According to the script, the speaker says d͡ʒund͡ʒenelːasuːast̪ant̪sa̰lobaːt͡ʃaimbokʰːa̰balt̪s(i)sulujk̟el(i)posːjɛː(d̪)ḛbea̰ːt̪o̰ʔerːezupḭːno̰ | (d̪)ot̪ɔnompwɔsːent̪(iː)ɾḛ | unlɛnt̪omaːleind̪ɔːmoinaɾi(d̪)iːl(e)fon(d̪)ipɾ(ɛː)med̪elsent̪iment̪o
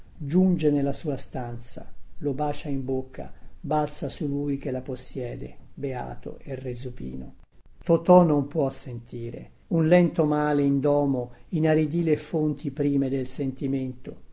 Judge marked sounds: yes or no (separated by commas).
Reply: no, no, yes, no, yes, yes, yes, no, no